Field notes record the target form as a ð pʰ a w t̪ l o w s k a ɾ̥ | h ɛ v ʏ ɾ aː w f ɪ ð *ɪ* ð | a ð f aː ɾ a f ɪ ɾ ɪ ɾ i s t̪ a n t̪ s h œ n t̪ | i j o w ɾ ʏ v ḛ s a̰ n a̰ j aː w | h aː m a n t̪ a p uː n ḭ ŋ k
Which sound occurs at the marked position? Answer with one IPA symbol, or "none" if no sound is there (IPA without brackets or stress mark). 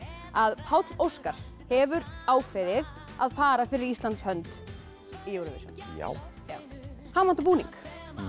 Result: ɪ